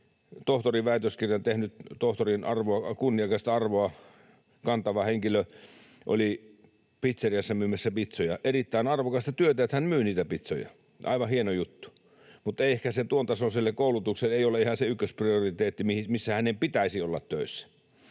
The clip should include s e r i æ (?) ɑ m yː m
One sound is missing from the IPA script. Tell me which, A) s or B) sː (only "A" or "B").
B